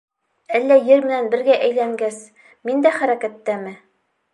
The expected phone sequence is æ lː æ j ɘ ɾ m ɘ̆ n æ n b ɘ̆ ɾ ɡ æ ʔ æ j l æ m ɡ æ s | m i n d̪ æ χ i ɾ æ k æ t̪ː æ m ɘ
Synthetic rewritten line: æ lː æ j ɘ ɾ m ɘ̆ n æ n b ɘ̆ ɾ ɡ æ ʔ æ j l æ ŋ ɡ æ s | m i n d̪ æ χ æ ɾ æ k æ t̪ː æ m ɘ